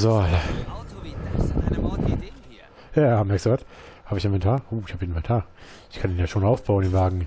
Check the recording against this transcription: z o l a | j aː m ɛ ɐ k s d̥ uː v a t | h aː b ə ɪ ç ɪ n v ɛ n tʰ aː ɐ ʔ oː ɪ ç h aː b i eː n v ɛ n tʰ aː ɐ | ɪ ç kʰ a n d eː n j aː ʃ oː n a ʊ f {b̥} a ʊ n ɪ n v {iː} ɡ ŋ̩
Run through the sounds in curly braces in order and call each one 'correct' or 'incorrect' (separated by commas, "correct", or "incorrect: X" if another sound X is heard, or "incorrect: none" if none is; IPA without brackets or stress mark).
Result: correct, incorrect: aː